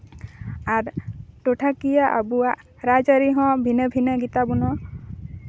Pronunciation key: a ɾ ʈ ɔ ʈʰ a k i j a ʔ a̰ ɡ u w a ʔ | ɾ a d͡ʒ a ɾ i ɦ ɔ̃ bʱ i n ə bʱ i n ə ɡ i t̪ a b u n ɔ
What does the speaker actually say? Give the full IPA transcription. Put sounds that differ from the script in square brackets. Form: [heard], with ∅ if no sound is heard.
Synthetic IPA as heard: a ɾ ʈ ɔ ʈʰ a k i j a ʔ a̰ [b] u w a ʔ | ɾ a d͡ʒ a ɾ i ɦ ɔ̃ bʱ i n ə bʱ i n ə ɡ i t̪ a b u n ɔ